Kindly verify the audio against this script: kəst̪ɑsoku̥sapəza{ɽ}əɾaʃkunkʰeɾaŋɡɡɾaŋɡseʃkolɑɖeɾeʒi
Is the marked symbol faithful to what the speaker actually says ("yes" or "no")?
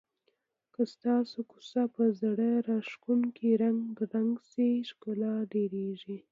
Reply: yes